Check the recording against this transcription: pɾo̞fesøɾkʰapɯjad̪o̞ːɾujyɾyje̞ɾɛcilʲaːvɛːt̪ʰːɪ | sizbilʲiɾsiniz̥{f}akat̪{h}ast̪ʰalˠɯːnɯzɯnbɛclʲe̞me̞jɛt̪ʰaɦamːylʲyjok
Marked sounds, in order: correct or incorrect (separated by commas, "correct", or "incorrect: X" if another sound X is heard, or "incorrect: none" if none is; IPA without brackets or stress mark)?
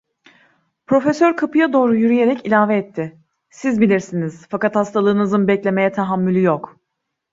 correct, correct